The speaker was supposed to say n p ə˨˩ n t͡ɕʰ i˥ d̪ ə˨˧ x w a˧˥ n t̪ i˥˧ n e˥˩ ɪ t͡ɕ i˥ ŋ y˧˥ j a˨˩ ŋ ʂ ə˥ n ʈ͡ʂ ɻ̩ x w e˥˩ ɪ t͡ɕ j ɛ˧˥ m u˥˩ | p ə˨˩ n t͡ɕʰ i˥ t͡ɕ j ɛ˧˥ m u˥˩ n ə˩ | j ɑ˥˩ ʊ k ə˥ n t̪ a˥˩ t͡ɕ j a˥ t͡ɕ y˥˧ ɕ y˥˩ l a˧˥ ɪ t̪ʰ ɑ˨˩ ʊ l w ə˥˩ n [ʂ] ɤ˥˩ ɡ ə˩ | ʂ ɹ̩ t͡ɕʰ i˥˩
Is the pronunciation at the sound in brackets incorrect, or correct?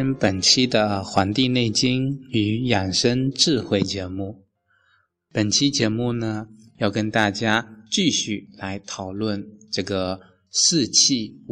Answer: incorrect